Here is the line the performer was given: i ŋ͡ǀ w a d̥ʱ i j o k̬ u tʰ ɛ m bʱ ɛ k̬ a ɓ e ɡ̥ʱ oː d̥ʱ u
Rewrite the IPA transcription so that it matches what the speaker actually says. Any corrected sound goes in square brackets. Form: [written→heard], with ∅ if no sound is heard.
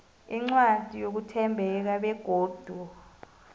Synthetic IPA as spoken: i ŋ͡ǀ w a d̥ʱ i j o k̬ u tʰ ɛ m bʱ ɛ k̬ a ɓ [e→ɛ] ɡ̥ʱ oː d̥ʱ u